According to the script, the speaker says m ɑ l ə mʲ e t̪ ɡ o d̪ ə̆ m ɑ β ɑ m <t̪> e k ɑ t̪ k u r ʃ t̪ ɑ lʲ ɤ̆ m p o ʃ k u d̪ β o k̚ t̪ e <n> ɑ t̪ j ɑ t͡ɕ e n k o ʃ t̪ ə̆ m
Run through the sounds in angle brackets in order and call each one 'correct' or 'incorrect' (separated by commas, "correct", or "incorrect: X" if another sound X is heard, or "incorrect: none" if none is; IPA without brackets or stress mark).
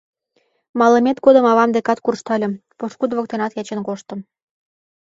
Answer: incorrect: d̪, correct